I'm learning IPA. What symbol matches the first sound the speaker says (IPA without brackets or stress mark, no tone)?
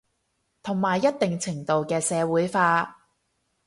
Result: t̪ʰ